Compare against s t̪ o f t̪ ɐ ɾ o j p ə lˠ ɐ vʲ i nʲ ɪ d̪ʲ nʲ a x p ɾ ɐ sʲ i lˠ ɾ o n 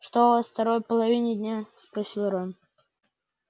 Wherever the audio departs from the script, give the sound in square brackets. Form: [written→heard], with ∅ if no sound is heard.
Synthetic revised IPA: [s→ʂ] t̪ o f t̪ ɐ ɾ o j p ə lˠ ɐ vʲ i nʲ ɪ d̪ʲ nʲ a [x→s] p ɾ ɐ sʲ i lˠ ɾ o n

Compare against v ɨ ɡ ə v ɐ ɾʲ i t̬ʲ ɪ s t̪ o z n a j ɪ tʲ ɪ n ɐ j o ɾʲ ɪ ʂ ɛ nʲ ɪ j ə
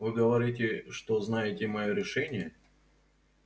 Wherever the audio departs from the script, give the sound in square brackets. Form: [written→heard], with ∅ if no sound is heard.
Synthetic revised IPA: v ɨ ɡ ə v ɐ ɾʲ i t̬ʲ ɪ [s→ʂ] t̪ o z n a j ɪ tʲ ɪ [n→m] ɐ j o ɾʲ ɪ ʂ ɛ nʲ ɪ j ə

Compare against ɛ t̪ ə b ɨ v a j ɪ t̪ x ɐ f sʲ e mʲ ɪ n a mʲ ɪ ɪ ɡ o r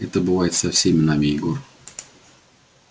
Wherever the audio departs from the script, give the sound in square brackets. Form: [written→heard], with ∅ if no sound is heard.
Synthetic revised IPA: ɛ t̪ ə b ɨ v a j ɪ t̪ [x→s] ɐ f sʲ e mʲ ɪ n a mʲ ɪ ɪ ɡ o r

